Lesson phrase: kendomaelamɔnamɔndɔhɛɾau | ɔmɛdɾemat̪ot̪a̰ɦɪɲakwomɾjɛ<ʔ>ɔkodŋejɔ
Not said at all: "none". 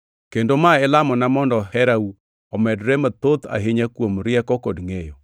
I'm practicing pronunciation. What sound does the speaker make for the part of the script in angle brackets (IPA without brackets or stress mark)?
k